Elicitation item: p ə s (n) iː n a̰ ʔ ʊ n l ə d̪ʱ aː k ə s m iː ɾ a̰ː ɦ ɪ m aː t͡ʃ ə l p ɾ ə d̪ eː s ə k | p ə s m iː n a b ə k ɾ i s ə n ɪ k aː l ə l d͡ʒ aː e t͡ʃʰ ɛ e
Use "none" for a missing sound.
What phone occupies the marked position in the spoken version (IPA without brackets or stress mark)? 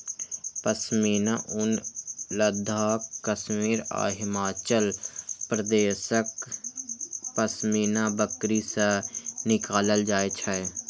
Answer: m